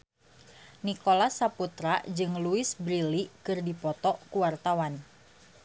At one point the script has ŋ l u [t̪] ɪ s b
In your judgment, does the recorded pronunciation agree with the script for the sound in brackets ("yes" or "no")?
no